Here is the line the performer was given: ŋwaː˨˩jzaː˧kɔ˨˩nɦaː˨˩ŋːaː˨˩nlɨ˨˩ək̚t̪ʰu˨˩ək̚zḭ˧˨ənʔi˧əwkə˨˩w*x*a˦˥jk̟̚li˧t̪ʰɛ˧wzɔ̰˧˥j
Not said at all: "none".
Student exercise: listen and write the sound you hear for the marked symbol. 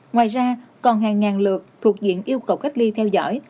k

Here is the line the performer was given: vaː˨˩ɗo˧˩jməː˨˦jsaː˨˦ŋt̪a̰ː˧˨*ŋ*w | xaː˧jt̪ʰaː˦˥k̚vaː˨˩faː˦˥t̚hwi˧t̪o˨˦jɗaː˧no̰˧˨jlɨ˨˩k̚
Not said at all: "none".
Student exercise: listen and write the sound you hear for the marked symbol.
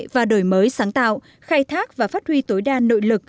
none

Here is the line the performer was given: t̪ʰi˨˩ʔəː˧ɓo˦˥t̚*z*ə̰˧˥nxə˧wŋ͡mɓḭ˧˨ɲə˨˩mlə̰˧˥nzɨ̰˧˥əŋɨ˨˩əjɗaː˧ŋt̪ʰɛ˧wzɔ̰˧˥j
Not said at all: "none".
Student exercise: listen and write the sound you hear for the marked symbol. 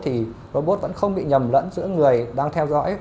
v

